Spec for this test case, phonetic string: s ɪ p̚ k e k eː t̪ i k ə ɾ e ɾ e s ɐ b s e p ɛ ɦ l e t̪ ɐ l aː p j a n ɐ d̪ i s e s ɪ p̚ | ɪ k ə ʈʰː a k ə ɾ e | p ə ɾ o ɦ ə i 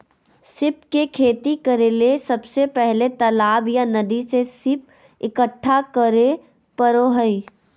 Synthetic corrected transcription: s ɪ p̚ k e kʰ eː t̪ i k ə ɾ e l e s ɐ b s e p ɛ ɦ l e t̪ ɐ l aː b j a n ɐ d̪ i s e s ɪ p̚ | ɪ k ə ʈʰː a k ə ɾ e | p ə ɾ o ɦ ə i